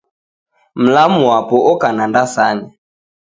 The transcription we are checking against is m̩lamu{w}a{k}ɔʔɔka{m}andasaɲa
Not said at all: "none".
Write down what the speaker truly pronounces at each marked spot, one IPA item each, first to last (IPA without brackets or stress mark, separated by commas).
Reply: w, p, n